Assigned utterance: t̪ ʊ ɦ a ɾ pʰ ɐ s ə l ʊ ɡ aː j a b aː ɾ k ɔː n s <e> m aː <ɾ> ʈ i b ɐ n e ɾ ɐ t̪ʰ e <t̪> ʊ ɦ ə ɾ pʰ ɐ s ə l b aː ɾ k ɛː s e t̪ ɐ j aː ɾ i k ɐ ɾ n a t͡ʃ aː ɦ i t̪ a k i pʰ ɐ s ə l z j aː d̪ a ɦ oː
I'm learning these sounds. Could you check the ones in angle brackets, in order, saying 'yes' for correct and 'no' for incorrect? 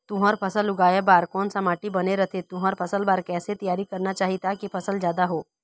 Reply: no, no, yes

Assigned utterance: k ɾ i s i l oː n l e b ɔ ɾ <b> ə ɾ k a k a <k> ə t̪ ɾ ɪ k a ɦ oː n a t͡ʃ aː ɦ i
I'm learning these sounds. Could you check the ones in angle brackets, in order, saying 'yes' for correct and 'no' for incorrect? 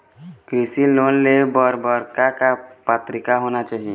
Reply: yes, no

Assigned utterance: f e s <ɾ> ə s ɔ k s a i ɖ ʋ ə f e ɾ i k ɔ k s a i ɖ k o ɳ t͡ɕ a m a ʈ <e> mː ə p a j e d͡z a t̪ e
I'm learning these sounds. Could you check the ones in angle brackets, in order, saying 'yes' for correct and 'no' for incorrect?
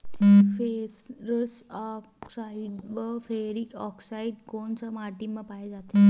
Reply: yes, no

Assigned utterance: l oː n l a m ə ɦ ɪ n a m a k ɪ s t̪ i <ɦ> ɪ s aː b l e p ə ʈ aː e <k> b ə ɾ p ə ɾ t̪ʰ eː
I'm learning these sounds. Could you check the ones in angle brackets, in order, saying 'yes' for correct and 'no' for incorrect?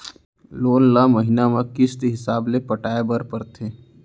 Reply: yes, no

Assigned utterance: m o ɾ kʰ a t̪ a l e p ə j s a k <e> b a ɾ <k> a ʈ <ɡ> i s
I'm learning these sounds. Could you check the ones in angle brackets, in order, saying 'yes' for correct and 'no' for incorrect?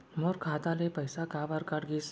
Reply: no, yes, yes

